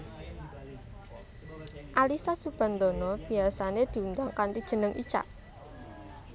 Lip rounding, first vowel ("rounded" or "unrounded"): unrounded